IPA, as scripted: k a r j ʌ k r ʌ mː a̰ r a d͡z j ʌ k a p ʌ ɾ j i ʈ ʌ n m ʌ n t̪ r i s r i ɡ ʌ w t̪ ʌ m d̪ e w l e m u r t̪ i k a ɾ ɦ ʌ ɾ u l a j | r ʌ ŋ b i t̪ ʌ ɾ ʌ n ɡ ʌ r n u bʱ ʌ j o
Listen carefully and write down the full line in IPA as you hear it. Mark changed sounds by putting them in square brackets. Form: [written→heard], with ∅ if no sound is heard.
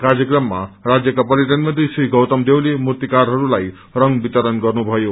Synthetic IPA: k a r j ʌ k r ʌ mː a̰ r a d͡z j ʌ k a p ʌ ɾ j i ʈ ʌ n m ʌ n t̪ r i s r i ɡ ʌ w t̪ ʌ m d̪ e w l e m u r t̪ i k a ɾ ɦ ʌ ɾ u l a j | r ʌ ŋ b i t̪ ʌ ɾ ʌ n ɡ ʌ r n u bʱ ʌ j o

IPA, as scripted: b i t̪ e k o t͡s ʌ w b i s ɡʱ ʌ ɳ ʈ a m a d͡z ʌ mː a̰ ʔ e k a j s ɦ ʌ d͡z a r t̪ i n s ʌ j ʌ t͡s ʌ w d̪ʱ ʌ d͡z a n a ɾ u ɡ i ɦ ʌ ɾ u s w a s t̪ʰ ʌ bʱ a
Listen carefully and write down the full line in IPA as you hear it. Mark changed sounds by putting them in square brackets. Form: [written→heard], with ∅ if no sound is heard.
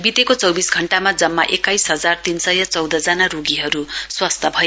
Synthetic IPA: b i t̪ e k o t͡s ʌ w b i s ɡʱ ʌ ɳ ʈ a m a d͡z ʌ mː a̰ ʔ e k a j s ɦ ʌ d͡z a r t̪ i n s ʌ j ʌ t͡s ʌ w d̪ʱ ʌ d͡z a n a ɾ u ɡ i ɦ ʌ ɾ u s w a s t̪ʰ ʌ bʱ [a→ʌ]

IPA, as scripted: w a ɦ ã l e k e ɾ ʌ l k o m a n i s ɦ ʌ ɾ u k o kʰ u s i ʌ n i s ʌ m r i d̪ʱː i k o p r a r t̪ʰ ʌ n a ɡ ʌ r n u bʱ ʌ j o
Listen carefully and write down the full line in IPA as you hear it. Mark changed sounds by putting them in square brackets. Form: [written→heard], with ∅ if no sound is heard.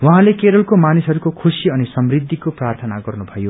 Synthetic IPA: w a ɦ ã l e k e ɾ ʌ l k o m a n i s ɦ ʌ ɾ u k o kʰ u s i ʌ n i s ʌ m r i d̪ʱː i k o p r a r t̪ʰ ʌ n a ɡ ʌ r n u bʱ ʌ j o

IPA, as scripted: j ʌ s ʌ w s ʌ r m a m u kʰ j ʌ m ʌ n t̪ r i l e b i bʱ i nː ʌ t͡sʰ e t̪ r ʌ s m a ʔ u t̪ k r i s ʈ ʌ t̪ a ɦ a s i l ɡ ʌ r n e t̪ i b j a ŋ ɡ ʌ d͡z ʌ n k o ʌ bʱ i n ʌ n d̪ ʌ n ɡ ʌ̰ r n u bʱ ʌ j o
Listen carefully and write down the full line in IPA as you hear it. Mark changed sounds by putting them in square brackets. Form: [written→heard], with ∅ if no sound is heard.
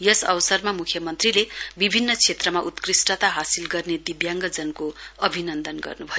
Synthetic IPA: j ʌ s ʌ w s ʌ r m a m u kʰ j ʌ m ʌ n t̪ r i l e b i bʱ i nː ʌ t͡sʰ e t̪ r ʌ [s→∅] m a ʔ u t̪ k r i s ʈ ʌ t̪ a ɦ a s i l ɡ ʌ r n e [t̪→d̪] i b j a ŋ ɡ ʌ d͡z ʌ n k o ʌ bʱ i n ʌ n d̪ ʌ n ɡ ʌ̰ r n u bʱ ʌ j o

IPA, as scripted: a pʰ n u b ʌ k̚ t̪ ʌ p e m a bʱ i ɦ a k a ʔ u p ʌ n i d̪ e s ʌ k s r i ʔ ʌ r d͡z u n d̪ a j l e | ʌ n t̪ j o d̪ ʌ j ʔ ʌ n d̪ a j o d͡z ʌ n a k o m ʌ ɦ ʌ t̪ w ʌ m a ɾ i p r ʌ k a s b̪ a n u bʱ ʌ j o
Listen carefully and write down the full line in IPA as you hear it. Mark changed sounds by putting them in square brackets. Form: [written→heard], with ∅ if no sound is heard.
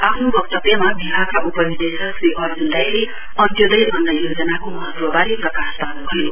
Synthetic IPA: a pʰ n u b ʌ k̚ t̪ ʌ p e m a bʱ i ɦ a k a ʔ u p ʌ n i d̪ e s ʌ k s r i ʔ ʌ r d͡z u n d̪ a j l e | ʌ n t̪ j o d̪ ʌ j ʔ ʌ n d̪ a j o d͡z ʌ n a k o m ʌ ɦ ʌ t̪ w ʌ [m→b] a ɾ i p r ʌ k a s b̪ a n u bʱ ʌ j o

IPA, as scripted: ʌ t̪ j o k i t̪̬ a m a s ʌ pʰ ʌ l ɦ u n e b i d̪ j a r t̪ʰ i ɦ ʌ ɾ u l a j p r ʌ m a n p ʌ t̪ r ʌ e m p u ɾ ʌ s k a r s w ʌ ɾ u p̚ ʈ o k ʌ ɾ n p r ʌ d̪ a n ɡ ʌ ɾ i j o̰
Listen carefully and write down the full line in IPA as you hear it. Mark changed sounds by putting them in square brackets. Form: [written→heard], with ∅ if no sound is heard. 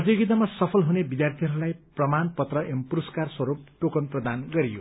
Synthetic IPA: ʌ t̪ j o [k→ɡ] i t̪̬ a m a s ʌ pʰ ʌ l ɦ u n e b i d̪ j a r t̪ʰ i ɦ ʌ ɾ u l a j p r ʌ m a n p ʌ t̪ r ʌ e m p u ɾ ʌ s k a r s w ʌ ɾ u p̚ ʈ o k ʌ [ɾ→∅] n p r ʌ d̪ a n ɡ ʌ ɾ i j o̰

